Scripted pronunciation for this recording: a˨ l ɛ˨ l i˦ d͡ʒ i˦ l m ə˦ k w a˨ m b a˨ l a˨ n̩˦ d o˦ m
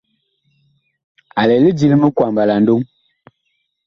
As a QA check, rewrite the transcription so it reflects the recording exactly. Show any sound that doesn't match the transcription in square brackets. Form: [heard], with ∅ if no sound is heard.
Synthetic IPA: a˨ l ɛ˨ l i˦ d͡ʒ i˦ l m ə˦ k w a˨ m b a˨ l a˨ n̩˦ d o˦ [ŋ]